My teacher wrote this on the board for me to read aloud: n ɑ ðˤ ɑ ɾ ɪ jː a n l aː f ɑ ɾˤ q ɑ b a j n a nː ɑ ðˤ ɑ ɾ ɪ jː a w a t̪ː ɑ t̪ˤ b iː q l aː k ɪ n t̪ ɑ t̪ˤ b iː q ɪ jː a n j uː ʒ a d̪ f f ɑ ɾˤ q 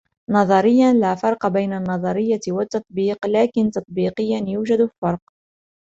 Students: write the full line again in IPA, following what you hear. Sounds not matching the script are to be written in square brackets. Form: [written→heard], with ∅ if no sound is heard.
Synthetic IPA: n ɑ ðˤ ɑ ɾ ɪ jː a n l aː f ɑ ɾˤ q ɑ b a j n a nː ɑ ðˤ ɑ ɾ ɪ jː a w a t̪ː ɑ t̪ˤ b iː q l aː k ɪ n t̪ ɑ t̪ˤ b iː q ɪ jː a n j uː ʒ a d̪ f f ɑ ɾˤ q